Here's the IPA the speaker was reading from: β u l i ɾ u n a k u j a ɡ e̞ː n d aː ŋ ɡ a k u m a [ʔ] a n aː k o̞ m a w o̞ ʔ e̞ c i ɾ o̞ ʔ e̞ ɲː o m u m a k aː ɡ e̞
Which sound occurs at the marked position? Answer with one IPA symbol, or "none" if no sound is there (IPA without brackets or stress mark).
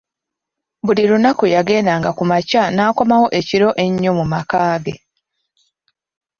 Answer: c